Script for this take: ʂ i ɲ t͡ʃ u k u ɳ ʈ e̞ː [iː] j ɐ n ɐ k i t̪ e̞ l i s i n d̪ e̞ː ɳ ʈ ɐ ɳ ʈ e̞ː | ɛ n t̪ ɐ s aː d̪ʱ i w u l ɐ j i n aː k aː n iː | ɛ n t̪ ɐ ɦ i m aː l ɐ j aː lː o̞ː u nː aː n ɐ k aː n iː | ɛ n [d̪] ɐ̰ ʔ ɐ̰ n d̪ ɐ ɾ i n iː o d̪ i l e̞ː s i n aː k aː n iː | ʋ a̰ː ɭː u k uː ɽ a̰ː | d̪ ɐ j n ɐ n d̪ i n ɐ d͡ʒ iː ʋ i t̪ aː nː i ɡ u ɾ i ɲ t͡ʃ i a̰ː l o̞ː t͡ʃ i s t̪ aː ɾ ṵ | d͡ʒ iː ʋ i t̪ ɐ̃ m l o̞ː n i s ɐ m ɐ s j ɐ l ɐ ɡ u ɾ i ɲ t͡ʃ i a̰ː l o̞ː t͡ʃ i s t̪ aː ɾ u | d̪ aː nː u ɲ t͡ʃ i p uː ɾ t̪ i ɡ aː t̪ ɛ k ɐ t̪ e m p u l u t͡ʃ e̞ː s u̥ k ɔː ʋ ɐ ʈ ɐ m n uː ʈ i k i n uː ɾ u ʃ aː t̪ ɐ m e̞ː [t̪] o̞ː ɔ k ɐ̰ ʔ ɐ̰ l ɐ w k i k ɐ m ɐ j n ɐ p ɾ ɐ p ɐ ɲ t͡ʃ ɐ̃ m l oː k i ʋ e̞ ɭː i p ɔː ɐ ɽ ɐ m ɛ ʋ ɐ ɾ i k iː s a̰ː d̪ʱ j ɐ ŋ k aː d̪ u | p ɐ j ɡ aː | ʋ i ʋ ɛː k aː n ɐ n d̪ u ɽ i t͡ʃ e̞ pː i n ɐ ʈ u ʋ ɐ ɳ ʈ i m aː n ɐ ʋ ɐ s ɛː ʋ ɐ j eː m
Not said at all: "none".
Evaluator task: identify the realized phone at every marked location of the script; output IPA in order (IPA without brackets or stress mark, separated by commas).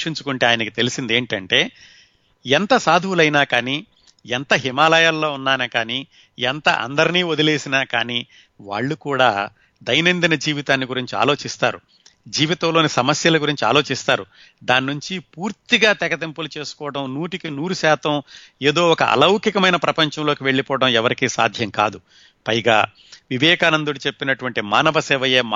aː, t̪, d̪